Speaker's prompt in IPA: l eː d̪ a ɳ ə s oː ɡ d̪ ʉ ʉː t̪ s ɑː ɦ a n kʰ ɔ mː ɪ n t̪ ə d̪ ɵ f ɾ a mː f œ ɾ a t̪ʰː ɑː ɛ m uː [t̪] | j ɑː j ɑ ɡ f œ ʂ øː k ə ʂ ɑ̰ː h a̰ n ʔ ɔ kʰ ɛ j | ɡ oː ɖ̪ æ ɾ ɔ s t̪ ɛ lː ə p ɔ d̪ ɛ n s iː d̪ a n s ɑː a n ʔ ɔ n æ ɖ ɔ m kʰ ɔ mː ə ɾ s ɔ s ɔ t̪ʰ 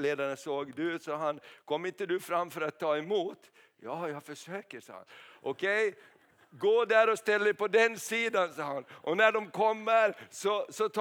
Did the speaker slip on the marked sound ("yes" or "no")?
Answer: no